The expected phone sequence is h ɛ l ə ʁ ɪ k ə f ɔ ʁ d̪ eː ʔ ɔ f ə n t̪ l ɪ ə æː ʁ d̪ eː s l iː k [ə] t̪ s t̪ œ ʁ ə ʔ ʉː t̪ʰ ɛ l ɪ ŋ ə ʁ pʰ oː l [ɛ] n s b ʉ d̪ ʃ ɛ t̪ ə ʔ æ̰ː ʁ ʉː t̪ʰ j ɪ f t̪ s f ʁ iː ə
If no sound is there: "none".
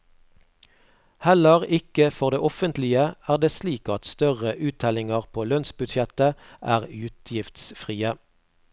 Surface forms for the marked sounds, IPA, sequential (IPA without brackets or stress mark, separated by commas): ɑ, œ